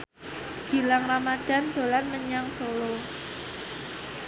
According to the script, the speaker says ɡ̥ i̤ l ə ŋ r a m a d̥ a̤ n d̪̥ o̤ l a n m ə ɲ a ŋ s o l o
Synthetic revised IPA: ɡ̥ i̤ l a ŋ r a m a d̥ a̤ n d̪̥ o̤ l a n m ə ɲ a ŋ s o l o